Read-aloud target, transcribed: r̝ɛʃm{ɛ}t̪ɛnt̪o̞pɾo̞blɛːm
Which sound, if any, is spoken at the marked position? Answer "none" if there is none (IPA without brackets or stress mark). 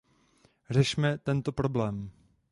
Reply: ɛ